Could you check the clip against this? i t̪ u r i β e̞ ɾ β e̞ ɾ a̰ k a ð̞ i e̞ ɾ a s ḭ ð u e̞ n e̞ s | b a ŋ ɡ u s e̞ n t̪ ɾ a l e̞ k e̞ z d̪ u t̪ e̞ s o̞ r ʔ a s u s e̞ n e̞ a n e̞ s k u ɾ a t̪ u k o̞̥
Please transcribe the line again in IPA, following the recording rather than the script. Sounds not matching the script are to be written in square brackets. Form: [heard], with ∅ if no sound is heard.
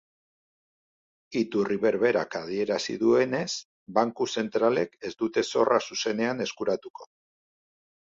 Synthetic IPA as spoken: i t̪ u r i β e̞ ɾ β e̞ ɾ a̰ k a ð̞ i e̞ ɾ a s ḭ ð u e̞ n e̞ s | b a ŋ [k] u s e̞ n t̪ ɾ a l e̞ k e̞ z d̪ u t̪ e̞ s o̞ r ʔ a s u s e̞ n e̞ a n e̞ s k u ɾ a t̪ u k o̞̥